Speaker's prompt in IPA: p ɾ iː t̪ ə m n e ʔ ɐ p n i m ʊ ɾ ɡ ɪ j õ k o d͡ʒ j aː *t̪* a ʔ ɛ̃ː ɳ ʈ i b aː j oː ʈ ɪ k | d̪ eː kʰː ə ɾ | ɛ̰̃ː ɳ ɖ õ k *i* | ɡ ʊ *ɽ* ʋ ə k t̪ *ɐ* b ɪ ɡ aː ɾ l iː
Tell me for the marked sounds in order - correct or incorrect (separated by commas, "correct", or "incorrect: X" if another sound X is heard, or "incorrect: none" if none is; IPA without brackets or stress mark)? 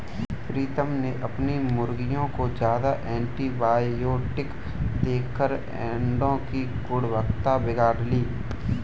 incorrect: d̪, correct, correct, incorrect: a